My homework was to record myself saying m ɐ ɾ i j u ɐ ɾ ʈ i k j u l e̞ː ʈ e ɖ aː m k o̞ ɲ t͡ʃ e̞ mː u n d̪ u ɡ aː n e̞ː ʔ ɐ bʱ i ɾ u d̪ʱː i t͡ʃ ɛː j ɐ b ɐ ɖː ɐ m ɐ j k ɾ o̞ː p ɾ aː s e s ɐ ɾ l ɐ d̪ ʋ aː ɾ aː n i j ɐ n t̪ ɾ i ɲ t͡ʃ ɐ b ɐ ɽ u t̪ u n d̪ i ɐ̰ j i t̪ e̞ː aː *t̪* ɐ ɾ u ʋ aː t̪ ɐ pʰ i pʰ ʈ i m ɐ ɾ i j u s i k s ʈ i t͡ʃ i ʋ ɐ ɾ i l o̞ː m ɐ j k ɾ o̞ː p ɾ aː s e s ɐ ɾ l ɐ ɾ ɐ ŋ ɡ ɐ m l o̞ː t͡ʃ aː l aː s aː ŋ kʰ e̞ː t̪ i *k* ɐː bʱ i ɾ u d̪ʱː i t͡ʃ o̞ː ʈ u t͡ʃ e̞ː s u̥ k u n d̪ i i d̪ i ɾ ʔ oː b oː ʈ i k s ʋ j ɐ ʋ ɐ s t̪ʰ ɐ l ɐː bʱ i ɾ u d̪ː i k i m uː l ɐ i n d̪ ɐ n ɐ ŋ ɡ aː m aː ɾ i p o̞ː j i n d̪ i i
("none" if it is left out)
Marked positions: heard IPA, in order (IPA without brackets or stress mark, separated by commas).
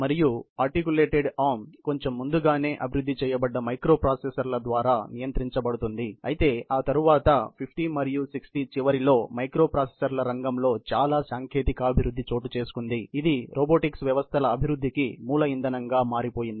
t̪, k